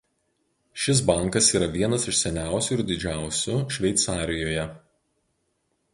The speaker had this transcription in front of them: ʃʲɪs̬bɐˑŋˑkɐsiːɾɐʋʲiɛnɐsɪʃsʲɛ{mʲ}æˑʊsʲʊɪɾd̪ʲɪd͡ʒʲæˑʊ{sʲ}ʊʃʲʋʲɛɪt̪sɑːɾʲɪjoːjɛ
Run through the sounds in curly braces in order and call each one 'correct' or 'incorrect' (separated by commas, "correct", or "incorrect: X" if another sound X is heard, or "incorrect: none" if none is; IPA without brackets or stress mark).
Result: incorrect: nʲ, correct